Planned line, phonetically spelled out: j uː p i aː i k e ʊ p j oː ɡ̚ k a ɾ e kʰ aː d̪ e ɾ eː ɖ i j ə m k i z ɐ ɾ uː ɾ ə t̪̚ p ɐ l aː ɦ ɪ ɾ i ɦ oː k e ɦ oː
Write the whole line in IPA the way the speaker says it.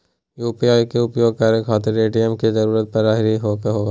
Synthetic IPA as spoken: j uː p i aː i k e ʊ p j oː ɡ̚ k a ɾ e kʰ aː t̪ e ɾ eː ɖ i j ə m k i z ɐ ɾ uː ɾ ə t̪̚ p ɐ ɾ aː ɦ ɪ ɾ i ɦ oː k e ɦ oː